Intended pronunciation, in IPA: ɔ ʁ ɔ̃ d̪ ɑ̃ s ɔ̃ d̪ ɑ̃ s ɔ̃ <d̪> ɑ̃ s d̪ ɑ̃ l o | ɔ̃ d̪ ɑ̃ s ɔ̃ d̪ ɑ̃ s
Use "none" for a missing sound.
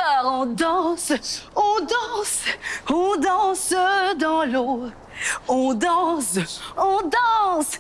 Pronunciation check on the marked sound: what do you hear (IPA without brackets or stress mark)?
d̪